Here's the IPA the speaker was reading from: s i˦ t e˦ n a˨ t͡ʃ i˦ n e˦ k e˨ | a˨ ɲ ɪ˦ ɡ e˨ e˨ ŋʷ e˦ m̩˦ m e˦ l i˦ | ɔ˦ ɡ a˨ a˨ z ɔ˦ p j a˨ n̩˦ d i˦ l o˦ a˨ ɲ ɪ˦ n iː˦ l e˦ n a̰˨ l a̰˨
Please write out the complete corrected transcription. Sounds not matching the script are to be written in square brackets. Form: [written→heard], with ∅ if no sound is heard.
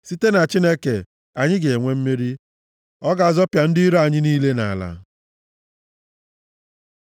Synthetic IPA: s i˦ t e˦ n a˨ t͡ʃ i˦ n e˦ k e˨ | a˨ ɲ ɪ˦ ɡ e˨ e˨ ŋʷ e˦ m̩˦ m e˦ [l→ɾ] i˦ | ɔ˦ ɡ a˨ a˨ z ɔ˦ p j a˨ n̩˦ d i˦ [l→ɾ] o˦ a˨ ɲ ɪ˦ n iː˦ l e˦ n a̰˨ l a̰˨